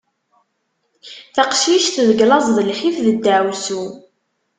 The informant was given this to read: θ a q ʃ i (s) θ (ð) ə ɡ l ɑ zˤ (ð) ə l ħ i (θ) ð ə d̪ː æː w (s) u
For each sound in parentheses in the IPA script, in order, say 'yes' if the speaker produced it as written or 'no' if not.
no, yes, yes, no, yes

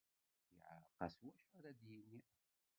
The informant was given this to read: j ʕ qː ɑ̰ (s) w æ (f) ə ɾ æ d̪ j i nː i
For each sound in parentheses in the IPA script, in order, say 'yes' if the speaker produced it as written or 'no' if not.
yes, no

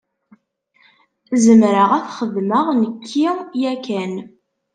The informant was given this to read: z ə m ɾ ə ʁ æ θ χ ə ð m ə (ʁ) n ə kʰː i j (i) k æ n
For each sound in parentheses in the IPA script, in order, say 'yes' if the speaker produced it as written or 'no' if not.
yes, no

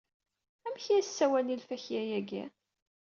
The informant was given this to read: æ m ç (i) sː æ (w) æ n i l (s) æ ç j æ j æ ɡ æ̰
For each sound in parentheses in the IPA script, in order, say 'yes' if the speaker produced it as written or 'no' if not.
no, yes, no

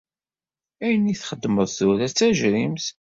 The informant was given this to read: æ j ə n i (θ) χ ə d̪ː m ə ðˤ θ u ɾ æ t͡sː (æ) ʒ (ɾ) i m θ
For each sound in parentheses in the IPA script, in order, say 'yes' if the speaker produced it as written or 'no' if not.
yes, yes, yes

